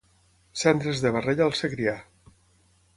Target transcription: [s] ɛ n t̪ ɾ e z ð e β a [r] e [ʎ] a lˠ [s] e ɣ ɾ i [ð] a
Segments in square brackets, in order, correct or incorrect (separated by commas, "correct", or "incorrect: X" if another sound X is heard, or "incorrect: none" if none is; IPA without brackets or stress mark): correct, correct, correct, correct, incorrect: none